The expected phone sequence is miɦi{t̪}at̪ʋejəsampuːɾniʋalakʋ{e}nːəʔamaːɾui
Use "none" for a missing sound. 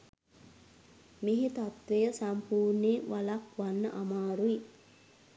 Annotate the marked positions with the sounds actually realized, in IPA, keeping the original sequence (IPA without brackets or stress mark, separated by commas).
t̪, a